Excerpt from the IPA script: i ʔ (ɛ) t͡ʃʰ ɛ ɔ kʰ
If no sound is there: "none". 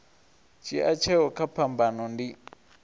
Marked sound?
a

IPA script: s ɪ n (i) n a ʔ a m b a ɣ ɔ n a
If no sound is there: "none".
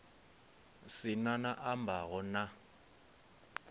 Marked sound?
a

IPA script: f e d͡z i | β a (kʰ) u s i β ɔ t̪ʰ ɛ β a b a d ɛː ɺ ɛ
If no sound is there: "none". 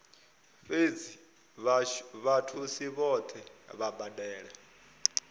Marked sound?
tʰ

